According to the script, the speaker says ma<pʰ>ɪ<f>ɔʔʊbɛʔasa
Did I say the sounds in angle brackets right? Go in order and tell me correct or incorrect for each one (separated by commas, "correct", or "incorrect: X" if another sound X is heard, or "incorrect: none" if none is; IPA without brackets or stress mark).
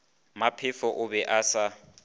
correct, correct